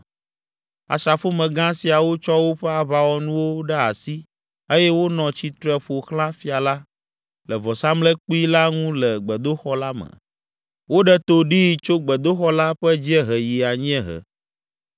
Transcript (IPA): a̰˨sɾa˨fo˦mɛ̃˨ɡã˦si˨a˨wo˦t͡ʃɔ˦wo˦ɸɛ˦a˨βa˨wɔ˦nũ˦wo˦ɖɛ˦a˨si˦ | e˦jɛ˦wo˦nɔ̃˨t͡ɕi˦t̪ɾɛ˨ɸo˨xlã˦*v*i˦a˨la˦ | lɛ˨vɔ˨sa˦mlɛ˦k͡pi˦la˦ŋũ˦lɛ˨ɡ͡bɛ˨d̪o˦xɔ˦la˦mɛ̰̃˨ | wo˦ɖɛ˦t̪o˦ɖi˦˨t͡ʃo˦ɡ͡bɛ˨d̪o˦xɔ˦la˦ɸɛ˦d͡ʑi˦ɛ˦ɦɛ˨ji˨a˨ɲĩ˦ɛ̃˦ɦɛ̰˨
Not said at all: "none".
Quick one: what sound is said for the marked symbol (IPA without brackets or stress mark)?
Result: f